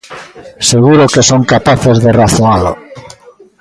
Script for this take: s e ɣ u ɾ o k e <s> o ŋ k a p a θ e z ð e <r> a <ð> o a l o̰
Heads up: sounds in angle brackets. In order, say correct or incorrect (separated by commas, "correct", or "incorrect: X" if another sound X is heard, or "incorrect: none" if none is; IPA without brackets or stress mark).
correct, correct, incorrect: θ